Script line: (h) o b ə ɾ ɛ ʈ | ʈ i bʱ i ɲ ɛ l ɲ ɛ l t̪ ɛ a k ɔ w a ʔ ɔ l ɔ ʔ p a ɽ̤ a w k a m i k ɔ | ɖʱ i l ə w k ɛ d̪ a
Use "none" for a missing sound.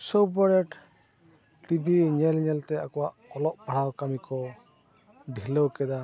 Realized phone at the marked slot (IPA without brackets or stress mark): s